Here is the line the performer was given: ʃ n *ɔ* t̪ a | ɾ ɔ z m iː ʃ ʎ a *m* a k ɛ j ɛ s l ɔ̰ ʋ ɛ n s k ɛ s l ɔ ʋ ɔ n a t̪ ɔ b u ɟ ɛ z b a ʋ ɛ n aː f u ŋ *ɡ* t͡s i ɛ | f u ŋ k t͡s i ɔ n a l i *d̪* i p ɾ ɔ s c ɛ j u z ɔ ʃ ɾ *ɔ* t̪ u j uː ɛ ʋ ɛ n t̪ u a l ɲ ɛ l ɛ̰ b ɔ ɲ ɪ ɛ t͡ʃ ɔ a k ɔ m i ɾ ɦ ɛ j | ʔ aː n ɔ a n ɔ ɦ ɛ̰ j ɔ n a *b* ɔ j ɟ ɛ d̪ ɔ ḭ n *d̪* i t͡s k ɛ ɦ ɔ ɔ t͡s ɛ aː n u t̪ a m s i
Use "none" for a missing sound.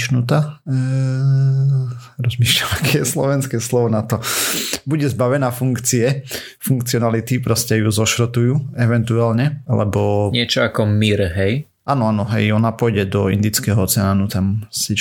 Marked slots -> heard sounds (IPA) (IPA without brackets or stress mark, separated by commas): u, m, k, t̪, ɔ, p, d̪